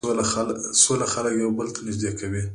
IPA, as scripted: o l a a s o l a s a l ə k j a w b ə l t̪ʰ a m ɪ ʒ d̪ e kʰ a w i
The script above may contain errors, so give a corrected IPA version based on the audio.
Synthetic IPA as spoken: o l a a s o l a x a l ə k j a w b ə l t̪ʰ a n ɪ ʒ d̪ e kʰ a w i